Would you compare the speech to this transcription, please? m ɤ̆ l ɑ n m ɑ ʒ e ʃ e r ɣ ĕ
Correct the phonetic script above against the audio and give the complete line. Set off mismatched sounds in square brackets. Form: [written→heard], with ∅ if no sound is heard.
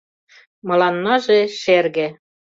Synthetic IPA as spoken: m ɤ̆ l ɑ n m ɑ ʒ e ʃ e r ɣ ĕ